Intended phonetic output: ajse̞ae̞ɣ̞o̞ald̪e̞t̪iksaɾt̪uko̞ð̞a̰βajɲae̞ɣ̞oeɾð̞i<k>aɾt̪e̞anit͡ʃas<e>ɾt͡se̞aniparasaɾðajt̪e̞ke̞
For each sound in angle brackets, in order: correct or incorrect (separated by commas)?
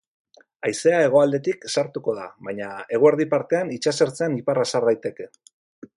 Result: incorrect, correct